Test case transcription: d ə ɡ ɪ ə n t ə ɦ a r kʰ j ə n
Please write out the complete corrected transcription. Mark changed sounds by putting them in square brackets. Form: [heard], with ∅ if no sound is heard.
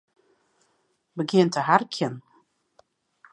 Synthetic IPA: [b] ə ɡ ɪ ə n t ə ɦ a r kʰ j ə n